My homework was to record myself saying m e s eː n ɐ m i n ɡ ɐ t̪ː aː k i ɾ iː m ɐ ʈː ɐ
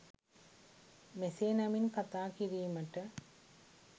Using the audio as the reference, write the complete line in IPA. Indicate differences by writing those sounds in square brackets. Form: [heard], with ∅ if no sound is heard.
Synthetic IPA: m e s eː n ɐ m i n [k] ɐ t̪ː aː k i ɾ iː m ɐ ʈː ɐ